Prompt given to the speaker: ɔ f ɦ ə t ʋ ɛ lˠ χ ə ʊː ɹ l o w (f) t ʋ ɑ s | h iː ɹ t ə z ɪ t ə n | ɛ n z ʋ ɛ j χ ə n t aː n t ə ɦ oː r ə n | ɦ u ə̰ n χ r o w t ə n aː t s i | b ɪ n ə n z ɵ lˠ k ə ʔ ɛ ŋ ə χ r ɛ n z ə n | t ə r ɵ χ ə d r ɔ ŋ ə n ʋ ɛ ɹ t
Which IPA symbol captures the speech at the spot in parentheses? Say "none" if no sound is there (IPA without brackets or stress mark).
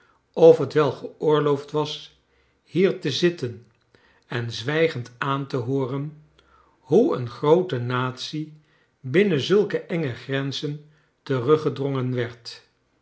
f